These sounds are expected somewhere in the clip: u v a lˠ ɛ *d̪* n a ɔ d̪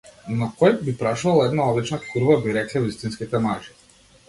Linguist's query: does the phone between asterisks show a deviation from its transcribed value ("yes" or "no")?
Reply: no